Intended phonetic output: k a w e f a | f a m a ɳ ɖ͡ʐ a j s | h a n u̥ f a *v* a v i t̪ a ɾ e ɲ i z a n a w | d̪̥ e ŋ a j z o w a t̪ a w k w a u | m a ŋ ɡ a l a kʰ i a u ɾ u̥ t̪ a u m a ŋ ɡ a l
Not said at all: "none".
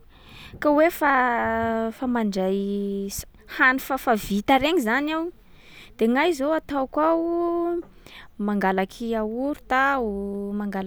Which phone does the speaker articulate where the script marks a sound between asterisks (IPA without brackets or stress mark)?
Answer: f